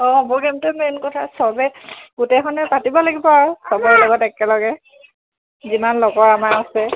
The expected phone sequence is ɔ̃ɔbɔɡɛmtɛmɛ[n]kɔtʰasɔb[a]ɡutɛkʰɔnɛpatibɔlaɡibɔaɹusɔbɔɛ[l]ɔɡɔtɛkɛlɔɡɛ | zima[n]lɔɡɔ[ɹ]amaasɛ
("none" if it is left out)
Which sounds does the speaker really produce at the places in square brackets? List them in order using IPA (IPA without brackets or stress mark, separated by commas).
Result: n, ɛ, l, n, ɹ